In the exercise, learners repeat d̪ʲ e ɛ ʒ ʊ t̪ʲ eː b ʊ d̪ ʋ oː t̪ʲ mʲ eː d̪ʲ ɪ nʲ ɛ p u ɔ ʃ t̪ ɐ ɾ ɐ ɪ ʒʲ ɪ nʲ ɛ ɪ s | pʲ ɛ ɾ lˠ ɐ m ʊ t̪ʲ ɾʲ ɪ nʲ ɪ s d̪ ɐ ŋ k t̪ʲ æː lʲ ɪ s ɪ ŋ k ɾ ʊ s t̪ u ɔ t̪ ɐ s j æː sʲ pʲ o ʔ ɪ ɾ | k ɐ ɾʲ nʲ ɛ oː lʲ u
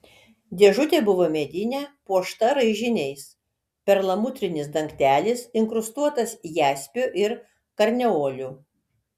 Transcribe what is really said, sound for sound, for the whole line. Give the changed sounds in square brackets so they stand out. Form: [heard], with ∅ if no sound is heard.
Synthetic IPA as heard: d̪ʲ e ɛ ʒ ʊ t̪ʲ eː b ʊ [∅] ʋ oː [∅] mʲ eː d̪ʲ ɪ nʲ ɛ p u ɔ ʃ t̪ ɐ ɾ ɐ ɪ ʒʲ ɪ nʲ ɛ ɪ s | pʲ ɛ ɾ lˠ ɐ m ʊ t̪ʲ ɾʲ ɪ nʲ ɪ s d̪ ɐ ŋ k t̪ʲ æː lʲ ɪ s ɪ ŋ k ɾ ʊ s t̪ u ɔ t̪ ɐ s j æː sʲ pʲ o ʔ ɪ ɾ | k ɐ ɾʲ nʲ ɛ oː lʲ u